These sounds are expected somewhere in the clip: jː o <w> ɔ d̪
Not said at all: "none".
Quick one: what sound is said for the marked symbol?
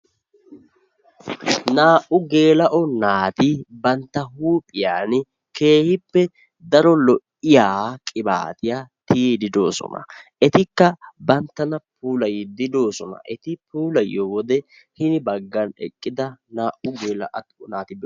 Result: w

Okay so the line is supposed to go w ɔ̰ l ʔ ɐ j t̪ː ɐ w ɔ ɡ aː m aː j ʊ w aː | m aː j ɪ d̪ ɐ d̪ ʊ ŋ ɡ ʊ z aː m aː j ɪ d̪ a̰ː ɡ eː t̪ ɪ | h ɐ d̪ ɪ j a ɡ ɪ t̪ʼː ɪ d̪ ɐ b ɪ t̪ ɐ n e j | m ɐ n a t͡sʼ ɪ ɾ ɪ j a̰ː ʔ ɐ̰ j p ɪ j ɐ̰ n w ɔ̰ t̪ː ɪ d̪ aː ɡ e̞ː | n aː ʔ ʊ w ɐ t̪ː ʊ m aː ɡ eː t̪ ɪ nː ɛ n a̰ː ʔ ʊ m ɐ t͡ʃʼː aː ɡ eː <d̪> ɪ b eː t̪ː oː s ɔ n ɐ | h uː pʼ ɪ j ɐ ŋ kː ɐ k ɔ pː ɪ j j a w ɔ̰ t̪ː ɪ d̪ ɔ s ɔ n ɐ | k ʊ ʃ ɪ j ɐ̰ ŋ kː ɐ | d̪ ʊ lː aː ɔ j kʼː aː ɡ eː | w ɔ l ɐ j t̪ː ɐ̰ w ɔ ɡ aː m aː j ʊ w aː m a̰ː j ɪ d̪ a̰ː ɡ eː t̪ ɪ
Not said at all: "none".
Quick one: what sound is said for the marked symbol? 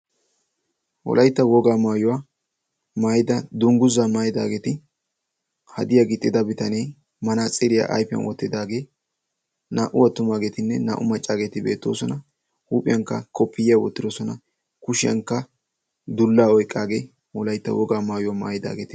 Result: t̪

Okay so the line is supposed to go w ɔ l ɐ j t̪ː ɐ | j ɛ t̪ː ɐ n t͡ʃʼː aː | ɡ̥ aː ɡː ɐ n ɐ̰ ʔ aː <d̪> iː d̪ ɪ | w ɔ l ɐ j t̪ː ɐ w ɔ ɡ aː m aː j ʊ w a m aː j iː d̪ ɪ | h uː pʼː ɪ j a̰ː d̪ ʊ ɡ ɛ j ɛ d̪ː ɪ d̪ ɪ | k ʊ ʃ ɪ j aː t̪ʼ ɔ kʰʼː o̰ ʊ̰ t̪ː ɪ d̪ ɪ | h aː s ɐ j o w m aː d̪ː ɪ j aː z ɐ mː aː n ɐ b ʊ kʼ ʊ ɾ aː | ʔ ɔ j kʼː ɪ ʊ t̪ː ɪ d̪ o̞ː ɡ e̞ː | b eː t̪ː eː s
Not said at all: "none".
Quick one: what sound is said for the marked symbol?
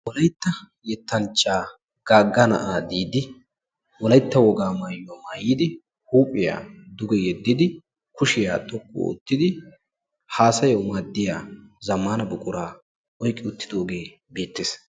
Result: d̪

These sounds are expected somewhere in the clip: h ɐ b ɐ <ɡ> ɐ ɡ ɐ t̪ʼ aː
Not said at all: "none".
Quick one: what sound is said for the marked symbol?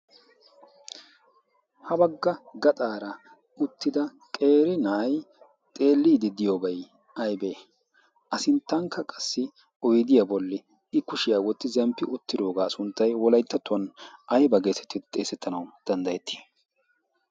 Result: ɡː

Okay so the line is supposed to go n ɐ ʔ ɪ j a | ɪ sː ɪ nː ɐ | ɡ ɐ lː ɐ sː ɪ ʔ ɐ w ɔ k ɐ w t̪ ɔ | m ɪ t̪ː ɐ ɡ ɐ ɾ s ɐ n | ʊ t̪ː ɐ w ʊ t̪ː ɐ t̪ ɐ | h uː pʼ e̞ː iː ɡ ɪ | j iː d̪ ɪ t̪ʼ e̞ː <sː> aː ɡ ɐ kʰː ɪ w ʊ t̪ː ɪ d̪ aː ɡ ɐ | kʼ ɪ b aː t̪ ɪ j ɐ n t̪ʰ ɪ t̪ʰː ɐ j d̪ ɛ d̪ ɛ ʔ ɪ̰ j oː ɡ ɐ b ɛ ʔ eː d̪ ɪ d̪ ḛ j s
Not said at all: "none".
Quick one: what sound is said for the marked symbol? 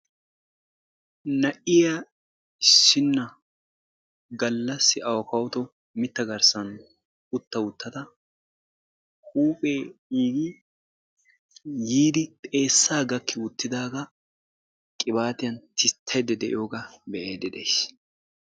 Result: sː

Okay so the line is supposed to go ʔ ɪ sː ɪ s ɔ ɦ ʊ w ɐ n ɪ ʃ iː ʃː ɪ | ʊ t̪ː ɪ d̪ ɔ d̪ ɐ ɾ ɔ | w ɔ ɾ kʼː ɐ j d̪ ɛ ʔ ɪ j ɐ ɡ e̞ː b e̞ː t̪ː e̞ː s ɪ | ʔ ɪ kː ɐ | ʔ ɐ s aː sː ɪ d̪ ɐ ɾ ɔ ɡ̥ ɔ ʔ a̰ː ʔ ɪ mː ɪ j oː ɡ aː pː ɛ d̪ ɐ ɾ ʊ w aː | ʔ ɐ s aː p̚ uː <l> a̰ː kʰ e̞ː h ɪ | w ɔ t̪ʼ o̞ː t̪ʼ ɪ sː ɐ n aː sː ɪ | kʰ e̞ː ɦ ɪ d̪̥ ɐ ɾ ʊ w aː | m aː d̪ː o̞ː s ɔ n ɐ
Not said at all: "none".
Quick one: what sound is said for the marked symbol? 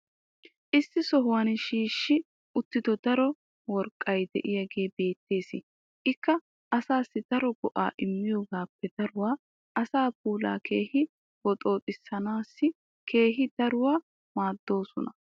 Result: l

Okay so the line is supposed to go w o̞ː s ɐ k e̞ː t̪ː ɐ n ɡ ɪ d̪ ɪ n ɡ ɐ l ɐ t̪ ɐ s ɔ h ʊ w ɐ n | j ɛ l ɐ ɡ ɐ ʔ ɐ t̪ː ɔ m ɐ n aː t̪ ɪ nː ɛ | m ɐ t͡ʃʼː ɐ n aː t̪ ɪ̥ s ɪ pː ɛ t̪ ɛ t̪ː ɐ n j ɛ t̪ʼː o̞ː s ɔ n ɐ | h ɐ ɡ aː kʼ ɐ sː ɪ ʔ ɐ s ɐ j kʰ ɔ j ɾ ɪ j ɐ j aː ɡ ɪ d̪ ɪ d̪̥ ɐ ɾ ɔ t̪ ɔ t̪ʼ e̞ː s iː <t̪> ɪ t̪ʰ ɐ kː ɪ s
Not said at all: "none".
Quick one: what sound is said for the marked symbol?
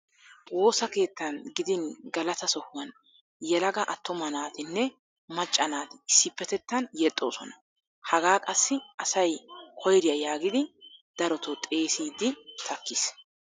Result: d̪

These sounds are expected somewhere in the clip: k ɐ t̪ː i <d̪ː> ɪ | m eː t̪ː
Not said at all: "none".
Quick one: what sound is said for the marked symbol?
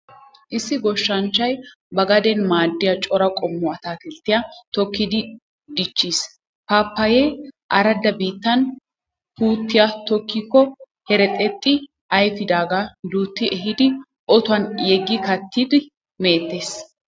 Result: d̪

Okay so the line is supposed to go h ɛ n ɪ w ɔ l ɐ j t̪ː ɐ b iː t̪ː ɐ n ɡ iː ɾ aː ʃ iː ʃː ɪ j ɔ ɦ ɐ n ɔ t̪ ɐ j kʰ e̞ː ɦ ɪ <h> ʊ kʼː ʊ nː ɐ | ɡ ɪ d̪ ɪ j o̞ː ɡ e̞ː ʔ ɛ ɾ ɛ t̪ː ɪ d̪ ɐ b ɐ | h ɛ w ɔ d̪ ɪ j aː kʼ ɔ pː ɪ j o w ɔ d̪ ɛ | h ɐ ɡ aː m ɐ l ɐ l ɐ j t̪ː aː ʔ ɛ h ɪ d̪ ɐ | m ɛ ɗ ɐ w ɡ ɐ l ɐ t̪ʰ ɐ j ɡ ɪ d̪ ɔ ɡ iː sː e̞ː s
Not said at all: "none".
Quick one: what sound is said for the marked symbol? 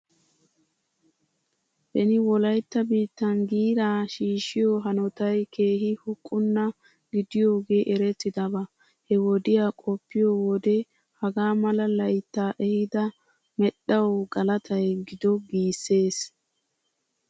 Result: h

